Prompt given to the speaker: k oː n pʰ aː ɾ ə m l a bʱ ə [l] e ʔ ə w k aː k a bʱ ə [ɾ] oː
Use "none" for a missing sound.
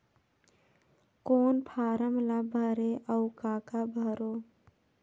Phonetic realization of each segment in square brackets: ɾ, ɾ

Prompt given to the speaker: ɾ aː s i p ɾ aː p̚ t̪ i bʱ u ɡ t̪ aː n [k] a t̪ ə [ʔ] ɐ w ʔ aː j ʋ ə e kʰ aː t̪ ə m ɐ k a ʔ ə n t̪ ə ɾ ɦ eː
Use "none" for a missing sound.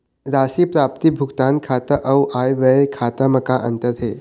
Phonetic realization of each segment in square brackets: kʰ, ʔ

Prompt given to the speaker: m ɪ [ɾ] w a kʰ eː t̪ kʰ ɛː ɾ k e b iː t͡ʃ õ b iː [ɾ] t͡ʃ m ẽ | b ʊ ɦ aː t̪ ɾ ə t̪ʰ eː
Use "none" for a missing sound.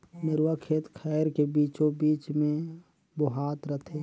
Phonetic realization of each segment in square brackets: ɾ, none

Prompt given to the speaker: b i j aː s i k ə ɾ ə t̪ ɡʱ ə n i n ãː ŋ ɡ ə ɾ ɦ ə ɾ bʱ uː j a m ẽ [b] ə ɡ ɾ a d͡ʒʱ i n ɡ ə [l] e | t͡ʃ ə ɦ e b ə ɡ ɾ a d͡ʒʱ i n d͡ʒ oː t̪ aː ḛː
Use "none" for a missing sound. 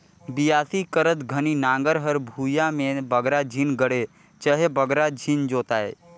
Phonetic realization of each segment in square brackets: b, ɽ

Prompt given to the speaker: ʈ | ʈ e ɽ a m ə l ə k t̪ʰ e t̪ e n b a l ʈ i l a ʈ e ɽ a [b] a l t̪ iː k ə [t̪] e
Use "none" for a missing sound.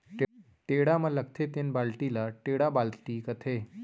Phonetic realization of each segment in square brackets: b, t̪ʰ

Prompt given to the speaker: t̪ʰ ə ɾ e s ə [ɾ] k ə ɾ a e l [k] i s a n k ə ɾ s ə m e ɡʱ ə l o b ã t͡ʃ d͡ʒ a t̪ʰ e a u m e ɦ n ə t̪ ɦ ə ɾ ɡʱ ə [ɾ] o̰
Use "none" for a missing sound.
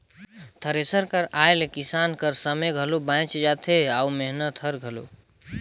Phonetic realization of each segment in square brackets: ɾ, k, l

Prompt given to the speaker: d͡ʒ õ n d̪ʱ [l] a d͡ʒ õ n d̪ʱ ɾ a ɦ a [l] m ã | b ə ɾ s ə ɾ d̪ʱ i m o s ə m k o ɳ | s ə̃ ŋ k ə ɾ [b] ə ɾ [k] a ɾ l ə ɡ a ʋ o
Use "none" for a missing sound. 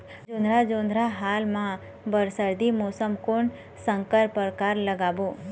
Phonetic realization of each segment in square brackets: ɾ, l, p, k

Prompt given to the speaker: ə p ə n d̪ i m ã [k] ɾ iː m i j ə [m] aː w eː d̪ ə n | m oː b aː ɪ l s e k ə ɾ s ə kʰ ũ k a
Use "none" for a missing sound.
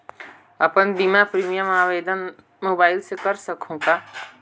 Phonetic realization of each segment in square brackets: p, m

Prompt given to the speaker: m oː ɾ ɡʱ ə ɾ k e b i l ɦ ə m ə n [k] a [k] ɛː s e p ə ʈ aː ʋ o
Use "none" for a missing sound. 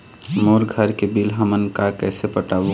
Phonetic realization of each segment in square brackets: k, k

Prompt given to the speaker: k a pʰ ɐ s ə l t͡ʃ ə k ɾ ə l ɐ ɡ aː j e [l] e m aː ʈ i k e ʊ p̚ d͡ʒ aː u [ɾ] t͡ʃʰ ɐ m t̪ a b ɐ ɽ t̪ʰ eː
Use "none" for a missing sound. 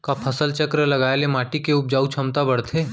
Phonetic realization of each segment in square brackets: l, none

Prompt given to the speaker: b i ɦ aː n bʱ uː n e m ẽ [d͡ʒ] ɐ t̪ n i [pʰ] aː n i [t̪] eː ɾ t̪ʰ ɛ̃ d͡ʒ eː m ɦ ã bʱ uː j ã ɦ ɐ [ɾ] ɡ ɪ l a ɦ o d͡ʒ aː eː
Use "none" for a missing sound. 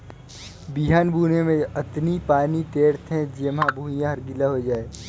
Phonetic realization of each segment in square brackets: none, p, t̪, ɾ

